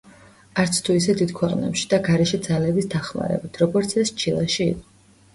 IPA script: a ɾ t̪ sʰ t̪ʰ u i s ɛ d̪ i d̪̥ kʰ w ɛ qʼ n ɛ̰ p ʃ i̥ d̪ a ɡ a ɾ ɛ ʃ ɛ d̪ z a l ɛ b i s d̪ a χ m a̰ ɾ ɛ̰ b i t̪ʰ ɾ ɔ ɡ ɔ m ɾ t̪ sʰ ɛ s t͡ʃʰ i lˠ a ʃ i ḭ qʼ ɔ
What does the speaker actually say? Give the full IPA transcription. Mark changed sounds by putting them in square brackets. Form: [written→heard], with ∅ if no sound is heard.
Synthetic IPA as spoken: a ɾ t̪ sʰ t̪ʰ u i s ɛ d̪ i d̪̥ kʰ w ɛ qʼ n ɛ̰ p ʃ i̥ d̪ a ɡ a ɾ ɛ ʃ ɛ d̪ z a l ɛ b i s d̪ a χ m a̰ ɾ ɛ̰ b i t̪ʰ ɾ ɔ ɡ ɔ [m→∅] ɾ t̪ sʰ ɛ s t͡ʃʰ i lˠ a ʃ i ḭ qʼ ɔ